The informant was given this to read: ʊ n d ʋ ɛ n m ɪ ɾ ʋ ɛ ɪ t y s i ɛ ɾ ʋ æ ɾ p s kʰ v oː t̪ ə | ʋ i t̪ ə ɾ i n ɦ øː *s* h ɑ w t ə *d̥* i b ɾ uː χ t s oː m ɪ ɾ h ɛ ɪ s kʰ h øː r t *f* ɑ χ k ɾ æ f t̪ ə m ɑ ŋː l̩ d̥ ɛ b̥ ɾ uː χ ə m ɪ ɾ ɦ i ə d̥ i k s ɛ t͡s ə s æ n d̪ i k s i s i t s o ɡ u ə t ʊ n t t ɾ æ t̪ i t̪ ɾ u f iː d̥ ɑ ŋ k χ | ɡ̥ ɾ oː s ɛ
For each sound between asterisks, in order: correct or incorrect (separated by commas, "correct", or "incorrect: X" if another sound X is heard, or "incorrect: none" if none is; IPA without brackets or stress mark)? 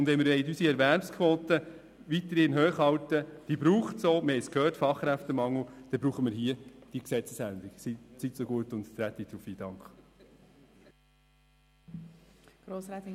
incorrect: χ, correct, correct